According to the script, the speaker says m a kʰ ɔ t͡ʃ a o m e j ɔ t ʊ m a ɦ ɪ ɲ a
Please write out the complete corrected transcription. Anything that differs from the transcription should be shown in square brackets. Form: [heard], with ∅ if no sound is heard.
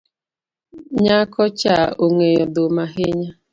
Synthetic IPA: [ɲ] a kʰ ɔ t͡ʃ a o [ŋ] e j ɔ [d] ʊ m a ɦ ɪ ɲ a